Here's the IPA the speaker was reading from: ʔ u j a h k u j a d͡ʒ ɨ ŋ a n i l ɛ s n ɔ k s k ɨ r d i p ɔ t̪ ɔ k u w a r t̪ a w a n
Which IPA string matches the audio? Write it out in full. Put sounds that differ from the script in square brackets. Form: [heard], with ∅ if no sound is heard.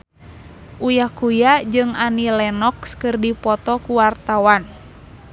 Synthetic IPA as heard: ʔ u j a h k u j a d͡ʒ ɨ ŋ a n i l ɛ [∅] n ɔ k s k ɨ r d i p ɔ t̪ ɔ k u w a r t̪ a w a n

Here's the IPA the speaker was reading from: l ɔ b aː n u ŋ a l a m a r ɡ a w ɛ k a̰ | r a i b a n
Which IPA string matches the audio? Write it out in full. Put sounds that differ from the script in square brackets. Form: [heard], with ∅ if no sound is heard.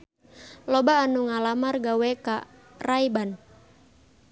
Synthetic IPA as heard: l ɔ b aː n u ŋ a l a m a r ɡ a w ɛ k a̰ | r a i b a n

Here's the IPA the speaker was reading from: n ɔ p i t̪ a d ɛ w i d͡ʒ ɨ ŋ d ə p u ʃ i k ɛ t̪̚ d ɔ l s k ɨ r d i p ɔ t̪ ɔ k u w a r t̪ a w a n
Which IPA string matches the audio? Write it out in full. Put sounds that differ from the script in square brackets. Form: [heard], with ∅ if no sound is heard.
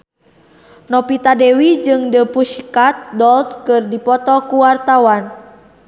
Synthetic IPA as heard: n ɔ p i t̪ a d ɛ w i d͡ʒ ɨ ŋ d ə p u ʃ i k [a] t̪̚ d ɔ l s k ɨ r d i p ɔ t̪ ɔ k u w a r t̪ a w a n

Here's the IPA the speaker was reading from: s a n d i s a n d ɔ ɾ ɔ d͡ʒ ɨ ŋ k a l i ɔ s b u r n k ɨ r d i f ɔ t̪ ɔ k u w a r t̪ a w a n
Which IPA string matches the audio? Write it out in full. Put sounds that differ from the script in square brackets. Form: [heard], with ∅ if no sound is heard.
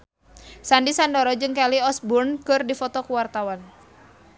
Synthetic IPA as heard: s a n d i s a n d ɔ ɾ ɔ d͡ʒ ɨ ŋ k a l i ɔ s b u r n k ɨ r d i f ɔ t̪ ɔ k u w a r t̪ a w a n

